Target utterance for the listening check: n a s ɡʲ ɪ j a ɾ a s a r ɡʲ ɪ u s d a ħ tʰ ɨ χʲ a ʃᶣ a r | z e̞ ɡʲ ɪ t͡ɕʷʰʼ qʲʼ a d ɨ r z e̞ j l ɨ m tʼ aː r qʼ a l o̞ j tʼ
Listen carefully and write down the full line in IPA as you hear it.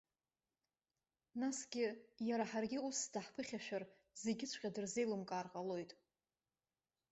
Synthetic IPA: n a s ɡʲ ɪ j a ɾ a ħ a r ɡʲ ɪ u s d a ħ pʰ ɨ χʲ a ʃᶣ a r | z e̞ ɡʲ ɪ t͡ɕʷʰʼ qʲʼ a d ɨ r z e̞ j l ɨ m kʼ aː r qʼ a l o̞ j tʼ